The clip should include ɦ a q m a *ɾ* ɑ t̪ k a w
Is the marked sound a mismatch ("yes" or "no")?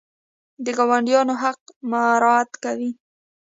no